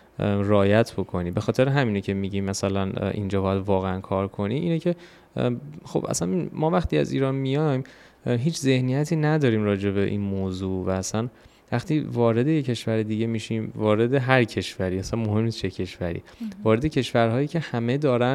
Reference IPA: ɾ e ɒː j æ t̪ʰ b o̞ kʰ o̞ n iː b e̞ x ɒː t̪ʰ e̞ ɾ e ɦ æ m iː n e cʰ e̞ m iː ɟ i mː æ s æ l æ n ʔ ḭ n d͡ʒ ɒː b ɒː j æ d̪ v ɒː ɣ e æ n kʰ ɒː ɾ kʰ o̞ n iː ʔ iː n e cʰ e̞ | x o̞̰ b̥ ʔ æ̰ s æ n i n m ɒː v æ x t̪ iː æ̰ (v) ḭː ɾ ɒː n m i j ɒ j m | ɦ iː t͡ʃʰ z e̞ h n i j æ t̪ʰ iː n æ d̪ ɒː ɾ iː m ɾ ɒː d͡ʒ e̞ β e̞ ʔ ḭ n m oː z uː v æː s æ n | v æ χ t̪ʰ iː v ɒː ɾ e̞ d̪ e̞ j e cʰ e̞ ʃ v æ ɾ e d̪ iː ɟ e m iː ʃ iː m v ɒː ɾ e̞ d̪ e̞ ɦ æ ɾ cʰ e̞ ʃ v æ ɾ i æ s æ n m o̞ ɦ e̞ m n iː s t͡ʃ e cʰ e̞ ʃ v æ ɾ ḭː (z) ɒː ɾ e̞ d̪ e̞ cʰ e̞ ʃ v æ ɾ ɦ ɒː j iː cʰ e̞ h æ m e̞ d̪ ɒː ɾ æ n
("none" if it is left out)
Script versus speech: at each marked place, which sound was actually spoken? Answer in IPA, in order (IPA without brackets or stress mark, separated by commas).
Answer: z, v